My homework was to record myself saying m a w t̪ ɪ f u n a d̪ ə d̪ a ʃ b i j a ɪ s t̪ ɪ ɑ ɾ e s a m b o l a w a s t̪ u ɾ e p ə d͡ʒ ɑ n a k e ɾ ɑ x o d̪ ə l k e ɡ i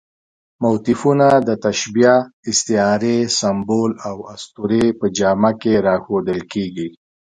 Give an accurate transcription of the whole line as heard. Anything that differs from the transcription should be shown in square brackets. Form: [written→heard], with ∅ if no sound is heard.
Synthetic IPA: m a w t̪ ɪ f u n a d̪ ə [d̪→t̪] a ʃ b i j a ɪ s t̪ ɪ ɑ ɾ e s a m b o l a w a s t̪ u ɾ e p ə d͡ʒ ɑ [n→m] a k e ɾ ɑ x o d̪ ə l k e ɡ i